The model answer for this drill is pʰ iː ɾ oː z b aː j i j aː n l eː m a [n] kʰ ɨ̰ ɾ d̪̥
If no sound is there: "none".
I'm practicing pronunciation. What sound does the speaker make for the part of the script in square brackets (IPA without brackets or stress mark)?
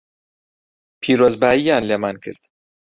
n